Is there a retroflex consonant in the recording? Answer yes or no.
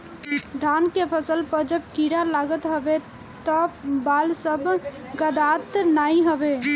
no